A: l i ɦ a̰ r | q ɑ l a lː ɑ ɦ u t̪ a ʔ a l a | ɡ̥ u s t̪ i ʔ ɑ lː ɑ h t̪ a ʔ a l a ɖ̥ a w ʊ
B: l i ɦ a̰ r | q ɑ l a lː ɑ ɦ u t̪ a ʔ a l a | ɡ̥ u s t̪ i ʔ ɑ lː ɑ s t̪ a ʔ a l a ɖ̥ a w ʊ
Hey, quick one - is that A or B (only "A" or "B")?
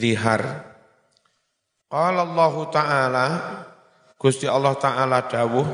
A